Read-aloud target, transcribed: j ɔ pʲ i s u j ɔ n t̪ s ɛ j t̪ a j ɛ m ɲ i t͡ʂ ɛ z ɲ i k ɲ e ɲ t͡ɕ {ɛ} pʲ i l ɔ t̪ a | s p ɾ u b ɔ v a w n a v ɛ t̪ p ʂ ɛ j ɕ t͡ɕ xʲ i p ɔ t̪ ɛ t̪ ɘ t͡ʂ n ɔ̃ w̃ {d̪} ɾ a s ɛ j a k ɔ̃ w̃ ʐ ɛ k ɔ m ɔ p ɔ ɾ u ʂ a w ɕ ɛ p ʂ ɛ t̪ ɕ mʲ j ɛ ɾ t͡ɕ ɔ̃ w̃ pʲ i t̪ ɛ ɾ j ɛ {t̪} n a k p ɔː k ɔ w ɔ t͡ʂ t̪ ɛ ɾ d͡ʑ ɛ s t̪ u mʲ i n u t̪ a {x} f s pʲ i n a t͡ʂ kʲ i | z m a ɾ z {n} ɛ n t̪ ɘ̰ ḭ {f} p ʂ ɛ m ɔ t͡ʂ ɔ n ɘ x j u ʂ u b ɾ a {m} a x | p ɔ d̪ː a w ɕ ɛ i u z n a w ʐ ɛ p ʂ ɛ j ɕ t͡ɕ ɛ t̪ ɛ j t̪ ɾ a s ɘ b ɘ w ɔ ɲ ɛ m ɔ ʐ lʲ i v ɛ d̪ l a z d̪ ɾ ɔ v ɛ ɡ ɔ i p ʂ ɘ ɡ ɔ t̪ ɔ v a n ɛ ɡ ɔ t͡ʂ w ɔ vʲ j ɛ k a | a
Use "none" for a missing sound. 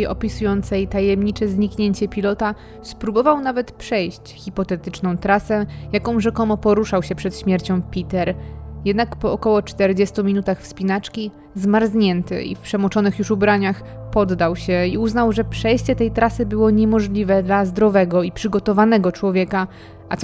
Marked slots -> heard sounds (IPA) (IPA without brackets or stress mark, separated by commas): ɛ, t̪, d̪, x, ɲ, f, ɲ